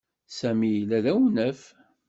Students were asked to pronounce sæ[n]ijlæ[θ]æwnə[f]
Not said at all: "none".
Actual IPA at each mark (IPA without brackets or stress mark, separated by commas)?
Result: m, ð, f